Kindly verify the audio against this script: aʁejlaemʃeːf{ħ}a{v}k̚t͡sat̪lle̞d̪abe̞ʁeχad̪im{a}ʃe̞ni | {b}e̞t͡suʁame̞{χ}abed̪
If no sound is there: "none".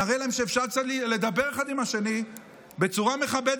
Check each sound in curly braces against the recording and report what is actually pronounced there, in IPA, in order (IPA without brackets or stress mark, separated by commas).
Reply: ʃ, ʁ, a, b, χ